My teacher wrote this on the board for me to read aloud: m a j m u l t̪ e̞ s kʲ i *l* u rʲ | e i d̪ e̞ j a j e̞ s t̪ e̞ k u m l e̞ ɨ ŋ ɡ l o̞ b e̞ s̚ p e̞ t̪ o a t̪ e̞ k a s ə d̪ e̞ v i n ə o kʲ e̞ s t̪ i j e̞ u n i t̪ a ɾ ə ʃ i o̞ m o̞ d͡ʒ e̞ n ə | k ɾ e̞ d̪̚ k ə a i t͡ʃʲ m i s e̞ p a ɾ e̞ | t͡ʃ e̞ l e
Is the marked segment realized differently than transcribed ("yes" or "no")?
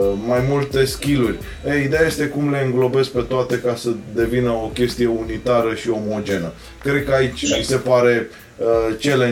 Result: no